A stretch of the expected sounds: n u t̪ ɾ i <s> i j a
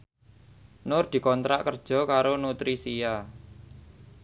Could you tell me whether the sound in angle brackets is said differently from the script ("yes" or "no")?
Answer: no